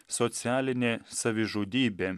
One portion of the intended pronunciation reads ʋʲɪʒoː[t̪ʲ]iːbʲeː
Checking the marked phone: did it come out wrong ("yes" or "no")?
yes